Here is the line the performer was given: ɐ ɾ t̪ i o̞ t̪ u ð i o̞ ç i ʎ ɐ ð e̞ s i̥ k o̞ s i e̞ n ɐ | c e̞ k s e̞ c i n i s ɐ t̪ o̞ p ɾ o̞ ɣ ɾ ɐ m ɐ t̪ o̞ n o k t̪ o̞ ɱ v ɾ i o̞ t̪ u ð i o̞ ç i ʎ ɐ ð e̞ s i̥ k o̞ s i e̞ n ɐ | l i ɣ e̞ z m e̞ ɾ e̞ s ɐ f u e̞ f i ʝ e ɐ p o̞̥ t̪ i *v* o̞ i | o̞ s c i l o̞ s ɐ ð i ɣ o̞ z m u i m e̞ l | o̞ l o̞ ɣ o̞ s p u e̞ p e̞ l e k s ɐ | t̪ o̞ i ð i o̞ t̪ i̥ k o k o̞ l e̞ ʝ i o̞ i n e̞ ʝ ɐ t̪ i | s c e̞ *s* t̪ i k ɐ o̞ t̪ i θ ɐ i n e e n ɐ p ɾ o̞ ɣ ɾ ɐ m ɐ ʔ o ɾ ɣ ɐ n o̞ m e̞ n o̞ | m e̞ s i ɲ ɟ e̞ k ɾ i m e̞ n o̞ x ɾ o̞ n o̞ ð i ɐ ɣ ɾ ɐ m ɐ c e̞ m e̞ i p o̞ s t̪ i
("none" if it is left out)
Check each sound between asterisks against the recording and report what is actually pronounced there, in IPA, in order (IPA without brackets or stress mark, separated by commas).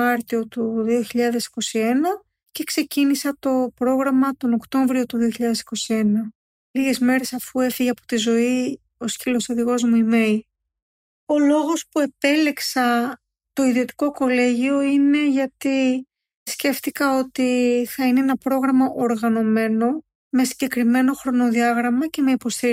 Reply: z, f